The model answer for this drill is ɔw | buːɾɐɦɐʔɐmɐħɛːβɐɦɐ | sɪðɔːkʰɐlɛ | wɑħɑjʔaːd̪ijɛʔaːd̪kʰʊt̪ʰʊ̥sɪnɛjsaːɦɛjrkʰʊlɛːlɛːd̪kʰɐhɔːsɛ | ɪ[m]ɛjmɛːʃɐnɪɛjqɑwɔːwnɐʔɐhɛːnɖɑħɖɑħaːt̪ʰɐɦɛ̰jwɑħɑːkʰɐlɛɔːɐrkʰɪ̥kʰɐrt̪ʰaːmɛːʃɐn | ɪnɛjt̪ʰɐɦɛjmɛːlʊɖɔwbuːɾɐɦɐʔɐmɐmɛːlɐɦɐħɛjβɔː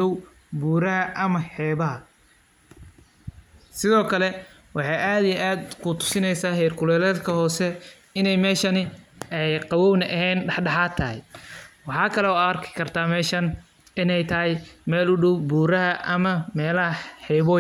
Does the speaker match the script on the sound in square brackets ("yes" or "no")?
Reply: no